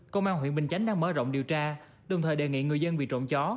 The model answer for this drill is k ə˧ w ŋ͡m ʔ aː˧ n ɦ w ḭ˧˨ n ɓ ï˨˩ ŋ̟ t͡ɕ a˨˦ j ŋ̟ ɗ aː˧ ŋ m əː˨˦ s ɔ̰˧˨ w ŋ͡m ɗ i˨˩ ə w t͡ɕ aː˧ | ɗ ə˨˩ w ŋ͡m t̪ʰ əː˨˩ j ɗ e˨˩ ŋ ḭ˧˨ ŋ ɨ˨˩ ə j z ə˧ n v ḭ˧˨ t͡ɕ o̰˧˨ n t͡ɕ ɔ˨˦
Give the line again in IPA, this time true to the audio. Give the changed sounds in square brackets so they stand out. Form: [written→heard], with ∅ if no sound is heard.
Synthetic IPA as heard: k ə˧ w ŋ͡m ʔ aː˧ n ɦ w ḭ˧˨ n ɓ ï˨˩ ŋ̟ t͡ɕ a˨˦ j ŋ̟ ɗ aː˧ ŋ m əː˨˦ [s→z] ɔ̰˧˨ w ŋ͡m ɗ i˨˩ ə w t͡ɕ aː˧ | ɗ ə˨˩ w ŋ͡m t̪ʰ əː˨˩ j ɗ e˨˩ ŋ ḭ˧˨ ŋ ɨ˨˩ ə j z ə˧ n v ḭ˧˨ t͡ɕ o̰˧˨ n t͡ɕ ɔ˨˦